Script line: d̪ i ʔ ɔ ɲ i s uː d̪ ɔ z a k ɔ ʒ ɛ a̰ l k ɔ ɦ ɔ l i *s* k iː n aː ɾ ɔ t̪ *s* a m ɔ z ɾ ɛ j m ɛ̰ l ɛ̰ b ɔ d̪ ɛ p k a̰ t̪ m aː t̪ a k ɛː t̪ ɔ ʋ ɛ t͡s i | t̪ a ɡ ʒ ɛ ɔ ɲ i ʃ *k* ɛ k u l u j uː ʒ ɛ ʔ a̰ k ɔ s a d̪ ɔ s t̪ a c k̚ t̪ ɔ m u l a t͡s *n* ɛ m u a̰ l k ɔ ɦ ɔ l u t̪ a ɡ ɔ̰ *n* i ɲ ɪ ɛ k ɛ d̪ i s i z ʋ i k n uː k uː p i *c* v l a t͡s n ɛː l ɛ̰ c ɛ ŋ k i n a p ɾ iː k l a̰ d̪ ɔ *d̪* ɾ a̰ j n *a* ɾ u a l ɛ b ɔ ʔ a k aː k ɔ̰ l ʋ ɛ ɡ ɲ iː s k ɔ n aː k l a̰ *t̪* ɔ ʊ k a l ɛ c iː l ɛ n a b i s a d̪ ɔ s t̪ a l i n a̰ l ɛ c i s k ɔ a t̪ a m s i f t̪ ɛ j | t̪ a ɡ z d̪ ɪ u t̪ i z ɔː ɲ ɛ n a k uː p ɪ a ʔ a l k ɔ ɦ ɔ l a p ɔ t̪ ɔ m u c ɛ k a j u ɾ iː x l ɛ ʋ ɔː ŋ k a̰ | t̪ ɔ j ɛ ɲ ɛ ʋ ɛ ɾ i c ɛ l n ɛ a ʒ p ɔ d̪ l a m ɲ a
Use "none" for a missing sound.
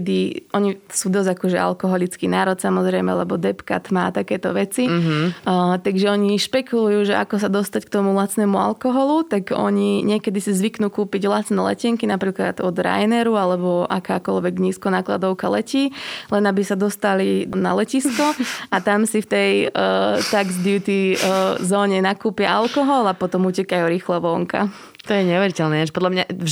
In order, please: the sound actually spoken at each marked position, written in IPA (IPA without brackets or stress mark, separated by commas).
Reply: t͡s, s, p, n, ɲ, ɟ, d̪, ɛ, d̪